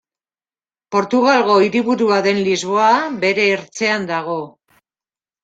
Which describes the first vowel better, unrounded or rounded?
rounded